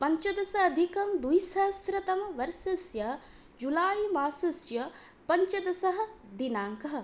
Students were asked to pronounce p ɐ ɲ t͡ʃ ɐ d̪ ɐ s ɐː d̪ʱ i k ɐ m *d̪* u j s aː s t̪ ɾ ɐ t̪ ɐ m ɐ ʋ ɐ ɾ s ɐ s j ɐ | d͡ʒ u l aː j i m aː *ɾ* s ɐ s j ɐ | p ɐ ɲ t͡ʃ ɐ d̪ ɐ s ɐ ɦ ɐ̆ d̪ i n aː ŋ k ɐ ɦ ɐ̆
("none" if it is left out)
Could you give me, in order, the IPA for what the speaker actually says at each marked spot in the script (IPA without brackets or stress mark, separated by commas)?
d̪, none